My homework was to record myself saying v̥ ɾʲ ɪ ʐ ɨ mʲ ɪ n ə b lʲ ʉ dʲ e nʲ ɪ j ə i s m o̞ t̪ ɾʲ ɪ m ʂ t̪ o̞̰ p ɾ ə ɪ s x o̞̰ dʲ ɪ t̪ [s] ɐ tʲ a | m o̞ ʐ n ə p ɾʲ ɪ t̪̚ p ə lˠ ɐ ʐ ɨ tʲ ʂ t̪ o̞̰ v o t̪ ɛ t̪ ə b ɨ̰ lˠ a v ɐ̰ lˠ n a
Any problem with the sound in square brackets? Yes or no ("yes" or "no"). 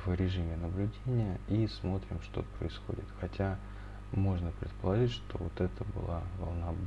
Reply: yes